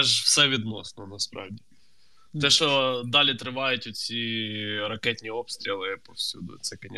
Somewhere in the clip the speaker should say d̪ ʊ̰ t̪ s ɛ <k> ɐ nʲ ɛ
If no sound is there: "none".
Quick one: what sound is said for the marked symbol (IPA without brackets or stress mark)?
k